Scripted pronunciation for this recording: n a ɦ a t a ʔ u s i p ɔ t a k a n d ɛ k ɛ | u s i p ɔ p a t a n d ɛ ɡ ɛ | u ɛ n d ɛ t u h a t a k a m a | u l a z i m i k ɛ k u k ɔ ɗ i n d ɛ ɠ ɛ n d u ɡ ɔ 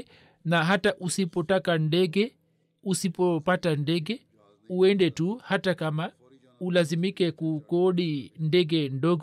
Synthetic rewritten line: n a ɦ a t a ʔ u s i p ɔ t a k a n d ɛ ɡ ɛ | u s i p ɔ p a t a n d ɛ ɡ ɛ | u ɛ n d ɛ t u h a t a k a m a | u l a z i m i k ɛ k u k ɔ ɗ i n d ɛ ɡ ɛ n d ɔ ɡ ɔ